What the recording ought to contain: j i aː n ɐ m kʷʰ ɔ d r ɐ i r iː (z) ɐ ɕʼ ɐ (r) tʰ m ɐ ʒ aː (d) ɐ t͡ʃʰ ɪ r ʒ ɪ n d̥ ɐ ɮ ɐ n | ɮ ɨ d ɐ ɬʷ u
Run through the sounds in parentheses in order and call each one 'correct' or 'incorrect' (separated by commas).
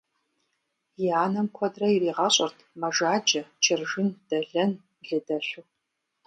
incorrect, correct, incorrect